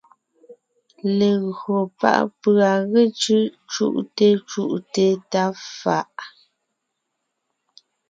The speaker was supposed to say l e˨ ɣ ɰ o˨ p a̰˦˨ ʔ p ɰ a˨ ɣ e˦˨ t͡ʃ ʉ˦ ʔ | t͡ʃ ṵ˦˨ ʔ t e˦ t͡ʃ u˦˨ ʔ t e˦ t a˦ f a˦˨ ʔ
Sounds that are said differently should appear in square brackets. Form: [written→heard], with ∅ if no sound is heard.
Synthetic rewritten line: l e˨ ɣ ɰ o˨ p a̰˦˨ ʔ p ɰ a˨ ɣ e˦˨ t͡ʃ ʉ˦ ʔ | t͡ʃ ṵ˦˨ ʔ t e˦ t͡ʃ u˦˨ ʔ t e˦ t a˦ f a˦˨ ʔ